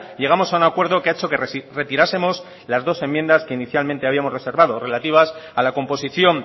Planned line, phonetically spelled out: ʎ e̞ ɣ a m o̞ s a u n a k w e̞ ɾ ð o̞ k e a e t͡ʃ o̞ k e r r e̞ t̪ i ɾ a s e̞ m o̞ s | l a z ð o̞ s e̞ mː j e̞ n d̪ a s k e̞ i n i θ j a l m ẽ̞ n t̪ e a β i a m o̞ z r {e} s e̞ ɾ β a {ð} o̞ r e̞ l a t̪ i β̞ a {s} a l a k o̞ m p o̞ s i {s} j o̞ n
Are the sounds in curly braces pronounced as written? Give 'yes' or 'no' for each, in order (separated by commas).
yes, yes, yes, no